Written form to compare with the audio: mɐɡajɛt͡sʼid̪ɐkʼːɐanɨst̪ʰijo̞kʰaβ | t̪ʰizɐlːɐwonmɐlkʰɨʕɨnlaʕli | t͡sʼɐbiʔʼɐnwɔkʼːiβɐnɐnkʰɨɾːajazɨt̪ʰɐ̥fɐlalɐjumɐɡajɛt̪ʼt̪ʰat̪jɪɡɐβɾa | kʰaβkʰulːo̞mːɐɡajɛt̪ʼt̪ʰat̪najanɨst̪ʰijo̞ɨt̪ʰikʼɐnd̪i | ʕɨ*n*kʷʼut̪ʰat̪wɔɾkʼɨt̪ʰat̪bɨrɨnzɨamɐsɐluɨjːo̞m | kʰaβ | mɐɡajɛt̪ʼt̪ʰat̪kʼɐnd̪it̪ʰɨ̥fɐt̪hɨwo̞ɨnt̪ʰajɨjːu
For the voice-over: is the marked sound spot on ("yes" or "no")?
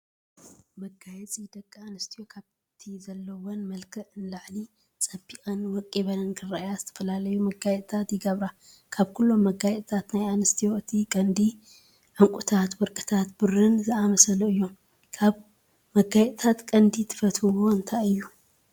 no